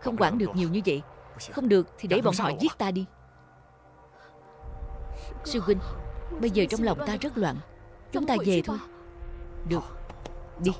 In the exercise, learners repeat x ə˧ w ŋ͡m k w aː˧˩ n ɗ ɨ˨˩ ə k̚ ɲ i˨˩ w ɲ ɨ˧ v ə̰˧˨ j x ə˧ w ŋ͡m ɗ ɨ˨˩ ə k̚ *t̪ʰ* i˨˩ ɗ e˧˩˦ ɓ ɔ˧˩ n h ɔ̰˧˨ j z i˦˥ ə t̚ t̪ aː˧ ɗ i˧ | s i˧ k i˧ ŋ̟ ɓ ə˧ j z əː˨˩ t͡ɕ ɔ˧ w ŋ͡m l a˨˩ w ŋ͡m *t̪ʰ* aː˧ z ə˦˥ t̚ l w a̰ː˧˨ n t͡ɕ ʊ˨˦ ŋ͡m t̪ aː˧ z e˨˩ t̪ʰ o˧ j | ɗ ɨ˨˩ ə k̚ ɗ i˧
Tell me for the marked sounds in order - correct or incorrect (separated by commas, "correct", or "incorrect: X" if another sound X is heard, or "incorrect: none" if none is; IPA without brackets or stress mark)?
correct, incorrect: t̪